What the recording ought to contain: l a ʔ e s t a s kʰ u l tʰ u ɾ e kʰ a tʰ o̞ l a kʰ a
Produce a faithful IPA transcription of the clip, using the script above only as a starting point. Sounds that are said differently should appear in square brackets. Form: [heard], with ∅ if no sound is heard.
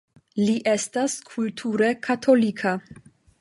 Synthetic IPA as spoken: l [i] ʔ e s t a s kʰ u l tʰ u ɾ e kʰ a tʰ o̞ l [i] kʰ a